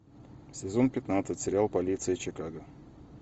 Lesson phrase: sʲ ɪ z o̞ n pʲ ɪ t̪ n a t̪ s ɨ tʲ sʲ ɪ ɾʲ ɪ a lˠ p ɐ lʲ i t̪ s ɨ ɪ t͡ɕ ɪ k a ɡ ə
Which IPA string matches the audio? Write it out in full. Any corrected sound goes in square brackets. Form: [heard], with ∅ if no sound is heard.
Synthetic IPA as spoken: sʲ ɪ z o̞ n pʲ ɪ t̪ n a t̪ s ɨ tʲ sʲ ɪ ɾʲ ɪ a lˠ p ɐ lʲ i t̪ s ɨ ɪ t͡ɕ ɪ k a ɡ ə